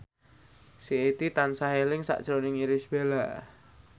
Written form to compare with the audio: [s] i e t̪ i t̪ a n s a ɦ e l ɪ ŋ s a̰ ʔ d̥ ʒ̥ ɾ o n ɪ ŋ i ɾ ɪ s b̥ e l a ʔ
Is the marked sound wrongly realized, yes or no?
no